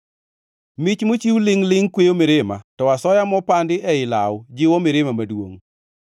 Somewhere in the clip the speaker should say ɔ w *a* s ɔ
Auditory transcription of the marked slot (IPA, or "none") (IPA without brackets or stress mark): a